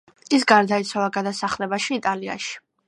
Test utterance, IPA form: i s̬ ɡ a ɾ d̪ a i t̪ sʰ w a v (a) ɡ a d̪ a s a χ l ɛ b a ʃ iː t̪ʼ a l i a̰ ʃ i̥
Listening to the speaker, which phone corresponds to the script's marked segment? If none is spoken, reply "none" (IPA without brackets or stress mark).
a